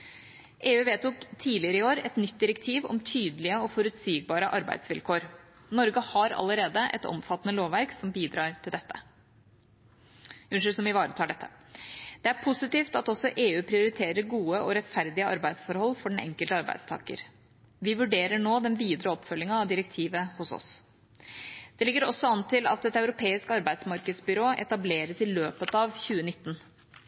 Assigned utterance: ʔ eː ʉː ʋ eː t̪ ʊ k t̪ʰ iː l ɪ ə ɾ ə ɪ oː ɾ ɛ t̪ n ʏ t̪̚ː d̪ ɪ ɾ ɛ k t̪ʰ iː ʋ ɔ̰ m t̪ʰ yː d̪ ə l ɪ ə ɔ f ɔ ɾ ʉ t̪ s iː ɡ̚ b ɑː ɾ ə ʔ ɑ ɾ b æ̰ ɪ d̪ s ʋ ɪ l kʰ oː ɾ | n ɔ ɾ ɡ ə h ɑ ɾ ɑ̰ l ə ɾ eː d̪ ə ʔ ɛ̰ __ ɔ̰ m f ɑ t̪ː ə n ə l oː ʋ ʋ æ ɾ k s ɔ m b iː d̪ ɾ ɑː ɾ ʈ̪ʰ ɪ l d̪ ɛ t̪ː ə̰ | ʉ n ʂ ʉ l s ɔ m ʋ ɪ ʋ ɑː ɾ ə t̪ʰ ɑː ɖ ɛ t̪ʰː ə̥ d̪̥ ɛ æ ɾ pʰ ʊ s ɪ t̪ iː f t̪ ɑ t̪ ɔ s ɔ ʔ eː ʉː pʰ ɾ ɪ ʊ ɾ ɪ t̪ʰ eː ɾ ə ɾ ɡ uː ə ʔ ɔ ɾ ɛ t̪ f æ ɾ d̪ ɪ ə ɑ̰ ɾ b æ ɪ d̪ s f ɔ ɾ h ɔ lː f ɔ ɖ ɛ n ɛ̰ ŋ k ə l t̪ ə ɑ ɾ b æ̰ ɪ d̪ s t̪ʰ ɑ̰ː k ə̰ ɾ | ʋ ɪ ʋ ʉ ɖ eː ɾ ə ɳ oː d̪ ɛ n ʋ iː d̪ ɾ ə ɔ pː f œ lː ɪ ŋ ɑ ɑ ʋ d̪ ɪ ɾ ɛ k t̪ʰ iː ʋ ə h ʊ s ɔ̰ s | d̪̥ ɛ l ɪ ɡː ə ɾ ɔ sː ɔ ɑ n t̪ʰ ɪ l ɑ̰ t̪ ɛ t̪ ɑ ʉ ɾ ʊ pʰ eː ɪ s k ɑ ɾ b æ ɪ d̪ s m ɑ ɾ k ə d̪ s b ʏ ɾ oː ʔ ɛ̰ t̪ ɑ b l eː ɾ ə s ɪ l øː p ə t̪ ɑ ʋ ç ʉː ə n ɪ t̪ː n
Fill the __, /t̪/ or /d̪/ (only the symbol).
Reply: t̪